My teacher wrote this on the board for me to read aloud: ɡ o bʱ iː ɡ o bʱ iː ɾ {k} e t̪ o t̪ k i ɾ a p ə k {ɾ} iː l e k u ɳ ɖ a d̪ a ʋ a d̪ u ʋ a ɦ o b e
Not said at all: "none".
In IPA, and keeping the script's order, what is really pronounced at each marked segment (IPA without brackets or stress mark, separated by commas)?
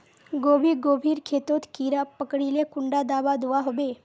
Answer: kʰ, ɽ